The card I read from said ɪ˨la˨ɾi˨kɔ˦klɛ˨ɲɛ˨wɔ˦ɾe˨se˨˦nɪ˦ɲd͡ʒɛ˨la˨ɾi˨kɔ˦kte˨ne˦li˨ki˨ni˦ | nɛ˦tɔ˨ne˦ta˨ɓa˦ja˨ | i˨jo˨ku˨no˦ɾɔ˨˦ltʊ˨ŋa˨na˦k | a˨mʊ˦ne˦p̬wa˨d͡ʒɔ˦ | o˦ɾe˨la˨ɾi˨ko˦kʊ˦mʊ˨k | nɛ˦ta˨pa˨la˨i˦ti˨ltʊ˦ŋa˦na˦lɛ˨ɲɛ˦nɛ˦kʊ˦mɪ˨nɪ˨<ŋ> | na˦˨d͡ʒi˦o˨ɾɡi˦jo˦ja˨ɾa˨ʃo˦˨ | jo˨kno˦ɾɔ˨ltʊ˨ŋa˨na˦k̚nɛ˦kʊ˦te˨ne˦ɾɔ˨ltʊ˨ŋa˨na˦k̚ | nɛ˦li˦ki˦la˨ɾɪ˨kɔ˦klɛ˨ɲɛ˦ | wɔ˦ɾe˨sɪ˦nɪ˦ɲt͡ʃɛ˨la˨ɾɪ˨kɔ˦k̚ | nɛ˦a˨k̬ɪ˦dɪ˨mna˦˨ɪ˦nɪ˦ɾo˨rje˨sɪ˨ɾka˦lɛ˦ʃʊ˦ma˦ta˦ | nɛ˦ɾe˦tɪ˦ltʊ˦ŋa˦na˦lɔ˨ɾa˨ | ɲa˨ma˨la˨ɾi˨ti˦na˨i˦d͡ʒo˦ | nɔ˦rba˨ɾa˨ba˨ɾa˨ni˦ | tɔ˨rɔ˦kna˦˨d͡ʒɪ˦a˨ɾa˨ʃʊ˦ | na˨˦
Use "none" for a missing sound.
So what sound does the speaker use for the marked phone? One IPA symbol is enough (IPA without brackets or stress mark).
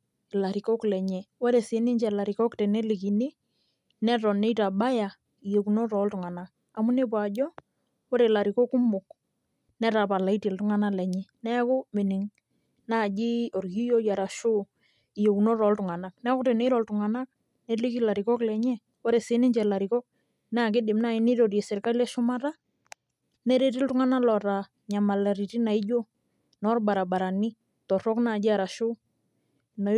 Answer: ŋ